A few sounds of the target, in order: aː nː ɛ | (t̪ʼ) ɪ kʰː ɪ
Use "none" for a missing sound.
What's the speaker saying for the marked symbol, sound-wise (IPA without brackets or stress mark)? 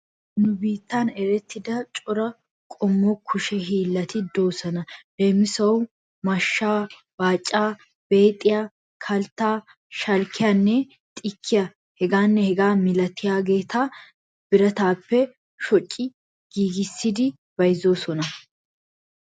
t̪ʼ